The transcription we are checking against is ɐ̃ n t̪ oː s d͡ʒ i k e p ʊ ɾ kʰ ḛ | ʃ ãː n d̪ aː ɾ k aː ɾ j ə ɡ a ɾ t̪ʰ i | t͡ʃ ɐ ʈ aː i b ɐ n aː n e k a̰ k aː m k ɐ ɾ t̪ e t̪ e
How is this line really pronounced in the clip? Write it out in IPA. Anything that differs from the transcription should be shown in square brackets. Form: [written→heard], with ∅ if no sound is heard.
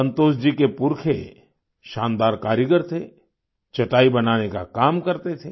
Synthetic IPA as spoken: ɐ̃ n t̪ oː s d͡ʒ i k e p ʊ ɾ kʰ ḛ | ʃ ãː n d̪ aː ɾ k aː ɾ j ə ɡ [a→ə] ɾ t̪ʰ [i→e] | t͡ʃ ɐ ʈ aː i b ɐ n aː n e k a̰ k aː m k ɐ ɾ t̪ e [t̪→t̪ʰ] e